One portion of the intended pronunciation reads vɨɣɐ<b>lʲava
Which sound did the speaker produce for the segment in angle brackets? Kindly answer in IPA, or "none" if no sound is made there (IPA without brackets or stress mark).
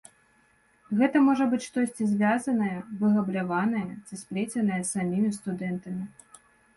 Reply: b